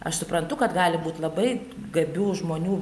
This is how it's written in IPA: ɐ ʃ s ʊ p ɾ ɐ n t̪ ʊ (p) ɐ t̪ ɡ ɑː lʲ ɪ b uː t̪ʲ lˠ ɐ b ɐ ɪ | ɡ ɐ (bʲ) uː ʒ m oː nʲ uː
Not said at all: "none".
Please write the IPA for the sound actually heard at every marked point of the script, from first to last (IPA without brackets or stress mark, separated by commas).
k, bʲ